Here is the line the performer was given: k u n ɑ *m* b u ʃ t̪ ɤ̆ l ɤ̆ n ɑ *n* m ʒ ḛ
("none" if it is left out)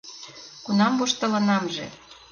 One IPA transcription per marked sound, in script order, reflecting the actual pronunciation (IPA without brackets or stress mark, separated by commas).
m, none